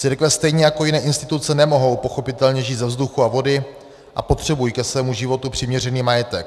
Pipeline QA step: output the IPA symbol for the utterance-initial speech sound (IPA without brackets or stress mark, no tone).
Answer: t͡s